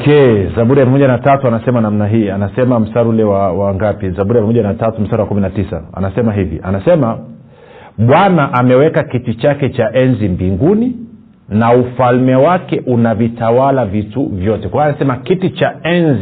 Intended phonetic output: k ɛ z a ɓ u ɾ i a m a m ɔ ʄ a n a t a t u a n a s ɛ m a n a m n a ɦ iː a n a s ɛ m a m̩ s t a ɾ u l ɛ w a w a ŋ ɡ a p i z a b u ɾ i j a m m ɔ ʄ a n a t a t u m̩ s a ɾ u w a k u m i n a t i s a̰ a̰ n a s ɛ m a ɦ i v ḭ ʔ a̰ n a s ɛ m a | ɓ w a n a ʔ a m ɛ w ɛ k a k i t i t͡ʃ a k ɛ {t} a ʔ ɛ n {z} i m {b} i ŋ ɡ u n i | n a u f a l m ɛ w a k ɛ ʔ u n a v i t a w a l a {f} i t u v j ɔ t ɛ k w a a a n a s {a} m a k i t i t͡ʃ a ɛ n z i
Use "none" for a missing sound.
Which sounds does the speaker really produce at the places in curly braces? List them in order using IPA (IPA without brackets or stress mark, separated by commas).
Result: t͡ʃ, z, b, v, ɛ